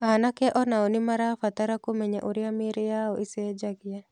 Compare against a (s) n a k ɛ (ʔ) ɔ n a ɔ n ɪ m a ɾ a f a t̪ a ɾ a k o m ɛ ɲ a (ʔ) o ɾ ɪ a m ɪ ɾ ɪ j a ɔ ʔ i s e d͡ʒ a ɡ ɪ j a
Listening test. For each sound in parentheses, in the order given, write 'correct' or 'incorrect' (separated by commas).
incorrect, correct, correct